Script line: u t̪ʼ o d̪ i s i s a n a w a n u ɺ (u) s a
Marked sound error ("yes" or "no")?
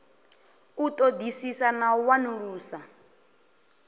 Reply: yes